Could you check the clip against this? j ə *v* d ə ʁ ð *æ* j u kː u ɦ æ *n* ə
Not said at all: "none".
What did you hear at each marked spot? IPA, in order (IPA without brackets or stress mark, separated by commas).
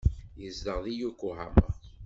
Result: z, i, m